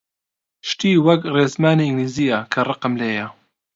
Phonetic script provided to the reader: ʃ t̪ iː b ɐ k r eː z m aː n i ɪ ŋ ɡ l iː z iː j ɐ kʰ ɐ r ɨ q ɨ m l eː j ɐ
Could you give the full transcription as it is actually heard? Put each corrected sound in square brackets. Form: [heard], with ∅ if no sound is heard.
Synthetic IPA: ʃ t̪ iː [w] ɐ k r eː z m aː n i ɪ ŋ ɡ l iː z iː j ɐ kʰ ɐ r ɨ q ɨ m l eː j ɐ